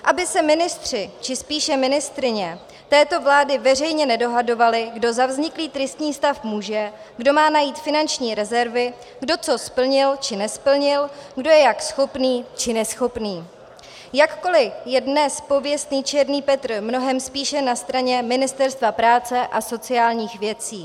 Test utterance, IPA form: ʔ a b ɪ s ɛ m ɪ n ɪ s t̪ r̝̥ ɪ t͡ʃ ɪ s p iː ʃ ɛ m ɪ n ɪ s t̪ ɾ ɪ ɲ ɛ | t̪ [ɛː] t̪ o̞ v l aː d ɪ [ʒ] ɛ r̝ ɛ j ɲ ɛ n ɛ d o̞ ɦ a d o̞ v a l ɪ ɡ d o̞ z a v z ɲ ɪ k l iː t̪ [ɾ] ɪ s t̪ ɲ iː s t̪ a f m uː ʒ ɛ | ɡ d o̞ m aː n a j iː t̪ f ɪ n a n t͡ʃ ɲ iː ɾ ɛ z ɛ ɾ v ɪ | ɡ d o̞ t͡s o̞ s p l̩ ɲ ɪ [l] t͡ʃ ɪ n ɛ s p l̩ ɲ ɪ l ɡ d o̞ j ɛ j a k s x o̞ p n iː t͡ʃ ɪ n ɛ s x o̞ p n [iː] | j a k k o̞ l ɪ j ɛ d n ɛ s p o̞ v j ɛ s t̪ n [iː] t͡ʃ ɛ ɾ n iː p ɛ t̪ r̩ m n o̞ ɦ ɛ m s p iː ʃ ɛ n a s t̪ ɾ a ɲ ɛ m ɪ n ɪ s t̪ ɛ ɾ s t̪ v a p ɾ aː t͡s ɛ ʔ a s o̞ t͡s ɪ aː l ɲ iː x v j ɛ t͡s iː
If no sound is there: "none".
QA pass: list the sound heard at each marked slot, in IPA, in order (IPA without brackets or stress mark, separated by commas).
ɛː, v, ɾ, l, iː, iː